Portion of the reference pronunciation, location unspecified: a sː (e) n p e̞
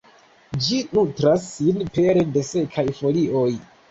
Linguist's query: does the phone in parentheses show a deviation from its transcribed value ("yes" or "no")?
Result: yes